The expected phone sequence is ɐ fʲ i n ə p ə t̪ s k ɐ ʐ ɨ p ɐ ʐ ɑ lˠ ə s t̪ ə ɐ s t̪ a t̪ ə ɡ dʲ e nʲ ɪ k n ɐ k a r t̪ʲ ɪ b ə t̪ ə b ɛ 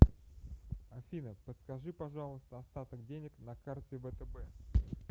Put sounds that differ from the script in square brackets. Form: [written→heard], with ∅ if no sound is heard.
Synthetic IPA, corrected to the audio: ɐ fʲ i n ə p ə t̪ s k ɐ ʐ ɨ p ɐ ʐ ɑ lˠ ə s t̪ ə ɐ s t̪ a t̪ ə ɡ dʲ e nʲ ɪ k n ɐ k a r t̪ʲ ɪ [b→v] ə t̪ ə b ɛ

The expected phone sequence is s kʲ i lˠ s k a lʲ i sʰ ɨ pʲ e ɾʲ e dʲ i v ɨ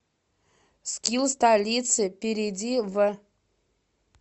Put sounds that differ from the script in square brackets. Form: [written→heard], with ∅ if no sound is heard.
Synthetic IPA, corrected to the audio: s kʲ i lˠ s [k→t] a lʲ i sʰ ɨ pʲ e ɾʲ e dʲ i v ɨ

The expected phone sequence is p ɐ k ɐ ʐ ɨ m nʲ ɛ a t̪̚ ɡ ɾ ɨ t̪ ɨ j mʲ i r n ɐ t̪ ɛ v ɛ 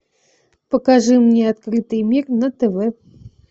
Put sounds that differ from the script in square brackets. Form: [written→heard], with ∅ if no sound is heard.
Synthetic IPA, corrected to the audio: p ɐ k [ɐ→a] ʐ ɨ m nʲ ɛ a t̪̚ [ɡ→k] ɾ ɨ t̪ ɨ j mʲ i r n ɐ t̪ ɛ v ɛ

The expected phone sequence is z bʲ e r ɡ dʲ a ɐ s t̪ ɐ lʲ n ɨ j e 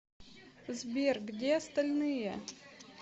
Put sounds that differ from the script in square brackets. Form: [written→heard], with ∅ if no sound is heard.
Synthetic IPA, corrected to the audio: z bʲ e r ɡ dʲ [a→e] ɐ s t̪ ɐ lʲ n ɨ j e

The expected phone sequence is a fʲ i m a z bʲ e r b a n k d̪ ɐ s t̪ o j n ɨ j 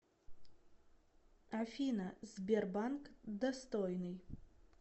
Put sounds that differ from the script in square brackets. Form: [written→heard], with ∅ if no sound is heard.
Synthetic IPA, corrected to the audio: a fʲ i [m→n] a z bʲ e r b a n k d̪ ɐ s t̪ o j n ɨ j

